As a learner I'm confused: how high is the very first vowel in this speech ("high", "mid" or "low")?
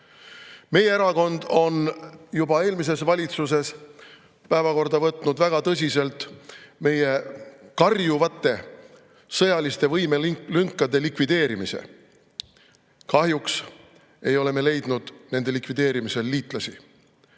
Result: mid